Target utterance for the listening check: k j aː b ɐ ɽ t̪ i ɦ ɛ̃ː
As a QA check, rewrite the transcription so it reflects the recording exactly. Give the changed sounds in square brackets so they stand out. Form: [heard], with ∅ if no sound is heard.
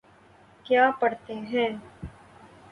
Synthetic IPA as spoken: k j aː [p] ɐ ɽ t̪ [e] ɦ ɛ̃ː

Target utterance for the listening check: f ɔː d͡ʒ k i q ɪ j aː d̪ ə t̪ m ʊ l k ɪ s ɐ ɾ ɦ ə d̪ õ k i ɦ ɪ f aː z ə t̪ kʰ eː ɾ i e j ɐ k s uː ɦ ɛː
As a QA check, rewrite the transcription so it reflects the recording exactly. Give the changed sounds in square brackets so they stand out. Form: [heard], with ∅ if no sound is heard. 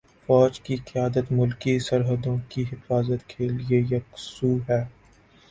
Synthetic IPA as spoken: f ɔː d͡ʒ k i q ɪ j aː d̪ ə t̪ m ʊ l k [i] s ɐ ɾ ɦ ə d̪ õ k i ɦ ɪ f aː z ə t̪ kʰ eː [l] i e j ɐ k s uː ɦ ɛː

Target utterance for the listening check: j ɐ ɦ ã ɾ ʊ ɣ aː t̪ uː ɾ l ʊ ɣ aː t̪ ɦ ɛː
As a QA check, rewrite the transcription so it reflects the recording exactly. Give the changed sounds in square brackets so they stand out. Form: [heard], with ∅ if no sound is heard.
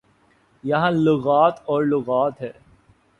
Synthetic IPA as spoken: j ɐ ɦ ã [l] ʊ ɣ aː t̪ [ɔː] ɾ l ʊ ɣ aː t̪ ɦ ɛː

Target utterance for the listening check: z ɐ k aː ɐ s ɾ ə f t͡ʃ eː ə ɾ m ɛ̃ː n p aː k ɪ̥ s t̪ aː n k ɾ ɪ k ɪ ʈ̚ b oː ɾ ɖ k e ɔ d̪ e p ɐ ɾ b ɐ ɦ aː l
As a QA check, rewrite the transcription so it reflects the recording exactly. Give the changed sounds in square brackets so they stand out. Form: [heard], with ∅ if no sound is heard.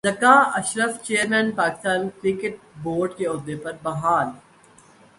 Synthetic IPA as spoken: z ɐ k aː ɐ [ʃ] ɾ ə f t͡ʃ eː ə ɾ m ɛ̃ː n p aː k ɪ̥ s t̪ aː n k ɾ ɪ k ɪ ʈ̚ b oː ɾ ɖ k e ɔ d̪ e p ɐ ɾ b ɐ ɦ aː l

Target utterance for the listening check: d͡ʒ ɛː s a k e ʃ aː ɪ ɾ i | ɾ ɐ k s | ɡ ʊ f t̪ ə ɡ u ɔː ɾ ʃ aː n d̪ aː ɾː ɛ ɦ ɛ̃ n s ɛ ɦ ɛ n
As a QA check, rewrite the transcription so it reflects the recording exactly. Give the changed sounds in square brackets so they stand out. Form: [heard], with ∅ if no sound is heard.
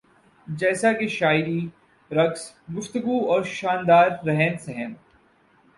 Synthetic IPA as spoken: d͡ʒ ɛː s a k e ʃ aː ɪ ɾ i | ɾ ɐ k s | ɡ ʊ f t̪ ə ɡ u ɔː ɾ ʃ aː n d̪ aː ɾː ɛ ɦ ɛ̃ n s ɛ ɦ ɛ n

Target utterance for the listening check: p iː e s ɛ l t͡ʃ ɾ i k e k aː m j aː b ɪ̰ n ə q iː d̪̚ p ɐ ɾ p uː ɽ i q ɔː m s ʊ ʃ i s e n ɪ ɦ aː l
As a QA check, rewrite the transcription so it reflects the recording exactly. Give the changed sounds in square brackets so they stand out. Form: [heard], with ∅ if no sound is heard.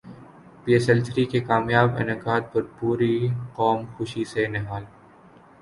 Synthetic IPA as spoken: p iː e s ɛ l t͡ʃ ɾ i k e k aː m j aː b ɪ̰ n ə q [aː] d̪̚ p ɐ ɾ p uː [ɾ] i q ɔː m [x] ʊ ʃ i s e n ɪ ɦ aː l

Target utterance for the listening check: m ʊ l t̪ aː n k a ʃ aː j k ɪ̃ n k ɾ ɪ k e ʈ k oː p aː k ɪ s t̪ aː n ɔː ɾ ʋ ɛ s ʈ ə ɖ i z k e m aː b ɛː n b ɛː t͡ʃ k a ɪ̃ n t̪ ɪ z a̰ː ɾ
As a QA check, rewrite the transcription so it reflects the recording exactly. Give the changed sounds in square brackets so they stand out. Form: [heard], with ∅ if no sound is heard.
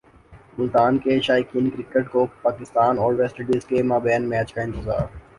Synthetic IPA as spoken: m ʊ l t̪ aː n k [e] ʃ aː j k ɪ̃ n k ɾ ɪ k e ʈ k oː p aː k ɪ s t̪ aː n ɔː ɾ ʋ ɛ s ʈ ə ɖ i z k e m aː b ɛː n [m] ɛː t͡ʃ k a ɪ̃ n t̪ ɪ z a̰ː ɾ

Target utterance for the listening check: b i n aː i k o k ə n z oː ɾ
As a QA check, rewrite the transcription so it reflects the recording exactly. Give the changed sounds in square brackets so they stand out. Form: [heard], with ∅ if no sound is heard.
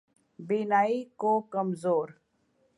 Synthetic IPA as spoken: b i n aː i k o k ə [m] z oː ɾ

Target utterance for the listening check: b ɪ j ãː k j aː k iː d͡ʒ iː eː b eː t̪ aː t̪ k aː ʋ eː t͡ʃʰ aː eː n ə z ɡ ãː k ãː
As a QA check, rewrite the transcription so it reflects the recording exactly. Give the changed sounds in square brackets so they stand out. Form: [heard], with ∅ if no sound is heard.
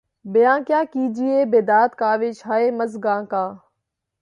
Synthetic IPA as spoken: b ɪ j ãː k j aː k iː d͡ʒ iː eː b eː [d̪] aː t̪ k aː ʋ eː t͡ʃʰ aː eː [m] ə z ɡ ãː k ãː

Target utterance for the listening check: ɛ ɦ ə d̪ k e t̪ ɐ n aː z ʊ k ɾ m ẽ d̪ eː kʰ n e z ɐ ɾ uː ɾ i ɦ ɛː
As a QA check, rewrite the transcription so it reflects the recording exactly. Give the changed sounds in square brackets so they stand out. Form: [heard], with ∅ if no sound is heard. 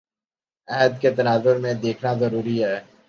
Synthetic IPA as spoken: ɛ ɦ ə d̪ k e t̪ ɐ n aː z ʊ [∅] ɾ m ẽ d̪ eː kʰ n [a] z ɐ ɾ uː ɾ i ɦ ɛː

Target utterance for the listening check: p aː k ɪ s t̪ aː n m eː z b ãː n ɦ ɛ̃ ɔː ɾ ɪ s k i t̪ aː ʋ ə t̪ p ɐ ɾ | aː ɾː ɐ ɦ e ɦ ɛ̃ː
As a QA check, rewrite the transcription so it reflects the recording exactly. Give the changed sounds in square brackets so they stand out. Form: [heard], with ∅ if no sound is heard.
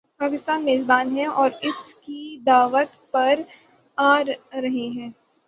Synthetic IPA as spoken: p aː k ɪ s t̪ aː n m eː z b [aː] n ɦ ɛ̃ ɔː ɾ ɪ s k i [d̪] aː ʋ ə t̪ p ɐ ɾ | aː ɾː ɐ ɦ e ɦ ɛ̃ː

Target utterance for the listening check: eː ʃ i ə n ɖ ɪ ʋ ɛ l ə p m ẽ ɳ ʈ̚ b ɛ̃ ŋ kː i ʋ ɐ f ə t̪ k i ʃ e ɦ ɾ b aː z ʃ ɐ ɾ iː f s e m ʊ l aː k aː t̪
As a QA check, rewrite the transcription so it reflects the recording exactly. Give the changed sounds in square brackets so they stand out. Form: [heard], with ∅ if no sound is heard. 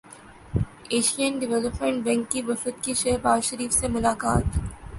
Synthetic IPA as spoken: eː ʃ i ə n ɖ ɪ ʋ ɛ l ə p m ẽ ɳ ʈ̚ b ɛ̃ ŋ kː i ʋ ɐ f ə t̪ k i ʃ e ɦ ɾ b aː z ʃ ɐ ɾ iː f s e m ʊ l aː k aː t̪

